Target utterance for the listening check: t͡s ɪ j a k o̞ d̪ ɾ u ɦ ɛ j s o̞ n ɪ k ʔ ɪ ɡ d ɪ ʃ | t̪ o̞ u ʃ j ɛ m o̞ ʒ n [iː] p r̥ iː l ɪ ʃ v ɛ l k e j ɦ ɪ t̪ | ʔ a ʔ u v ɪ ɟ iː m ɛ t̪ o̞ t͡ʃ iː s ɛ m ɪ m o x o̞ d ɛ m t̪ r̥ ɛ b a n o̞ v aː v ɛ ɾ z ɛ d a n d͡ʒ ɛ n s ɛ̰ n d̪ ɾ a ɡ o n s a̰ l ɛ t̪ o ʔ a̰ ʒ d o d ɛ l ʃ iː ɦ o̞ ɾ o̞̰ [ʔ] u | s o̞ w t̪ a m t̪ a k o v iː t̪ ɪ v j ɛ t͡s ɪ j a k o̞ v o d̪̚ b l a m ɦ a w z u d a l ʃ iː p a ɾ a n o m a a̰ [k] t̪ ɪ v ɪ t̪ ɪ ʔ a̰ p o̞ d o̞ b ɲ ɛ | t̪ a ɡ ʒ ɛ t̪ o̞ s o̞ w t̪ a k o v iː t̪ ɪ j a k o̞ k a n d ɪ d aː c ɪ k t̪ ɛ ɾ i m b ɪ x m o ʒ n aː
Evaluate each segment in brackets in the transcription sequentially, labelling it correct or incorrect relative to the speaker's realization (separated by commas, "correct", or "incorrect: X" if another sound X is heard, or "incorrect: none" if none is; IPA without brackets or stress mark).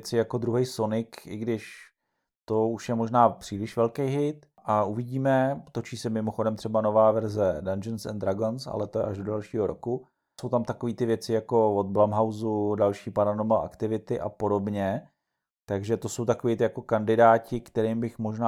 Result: incorrect: aː, incorrect: k, correct